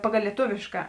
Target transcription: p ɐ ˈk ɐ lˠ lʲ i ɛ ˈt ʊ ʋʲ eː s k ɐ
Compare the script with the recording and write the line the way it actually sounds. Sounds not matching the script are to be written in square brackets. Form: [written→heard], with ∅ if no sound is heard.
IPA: p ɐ [ˈk→ˈɡ] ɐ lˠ lʲ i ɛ ˈt ʊ ʋʲ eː [s→ʃ] k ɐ